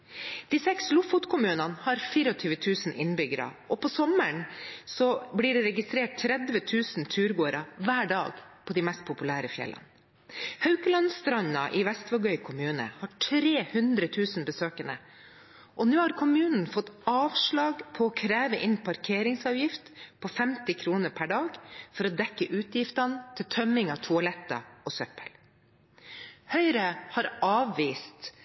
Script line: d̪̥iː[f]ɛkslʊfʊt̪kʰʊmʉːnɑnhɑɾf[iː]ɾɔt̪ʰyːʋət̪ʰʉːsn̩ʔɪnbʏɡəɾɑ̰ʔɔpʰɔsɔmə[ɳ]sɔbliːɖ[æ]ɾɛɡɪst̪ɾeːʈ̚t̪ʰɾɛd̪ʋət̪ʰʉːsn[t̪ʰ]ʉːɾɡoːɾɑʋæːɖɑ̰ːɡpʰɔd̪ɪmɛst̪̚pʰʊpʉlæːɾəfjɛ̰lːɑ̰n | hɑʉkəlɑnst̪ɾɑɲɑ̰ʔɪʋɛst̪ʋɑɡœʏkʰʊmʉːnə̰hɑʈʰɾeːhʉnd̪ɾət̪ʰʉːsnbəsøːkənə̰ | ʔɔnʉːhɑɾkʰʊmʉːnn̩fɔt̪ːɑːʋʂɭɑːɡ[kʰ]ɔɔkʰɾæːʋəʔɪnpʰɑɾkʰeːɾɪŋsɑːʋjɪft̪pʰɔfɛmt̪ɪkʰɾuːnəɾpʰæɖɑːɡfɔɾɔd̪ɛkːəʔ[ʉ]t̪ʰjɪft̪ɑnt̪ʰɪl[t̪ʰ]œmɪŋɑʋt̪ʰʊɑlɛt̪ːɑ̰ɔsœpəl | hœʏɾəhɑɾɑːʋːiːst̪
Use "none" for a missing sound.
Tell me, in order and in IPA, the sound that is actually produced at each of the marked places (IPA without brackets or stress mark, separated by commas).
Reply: s, iː, ɳ, ɛ, t̪ʰ, pʰ, ʉː, t̪ʰ